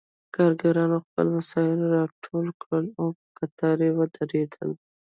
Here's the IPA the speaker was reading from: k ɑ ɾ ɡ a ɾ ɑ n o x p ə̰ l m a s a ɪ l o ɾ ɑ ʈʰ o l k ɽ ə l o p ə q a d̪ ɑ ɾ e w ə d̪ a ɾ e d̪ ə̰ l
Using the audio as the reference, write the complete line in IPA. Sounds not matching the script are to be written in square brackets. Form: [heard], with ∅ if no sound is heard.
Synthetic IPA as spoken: k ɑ ɾ ɡ a ɾ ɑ n o x p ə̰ l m a s [ɑ] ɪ l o ɾ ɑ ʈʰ o l k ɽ ə l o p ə [k] a [t̪] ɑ ɾ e w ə d̪ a ɾ e d̪ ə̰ l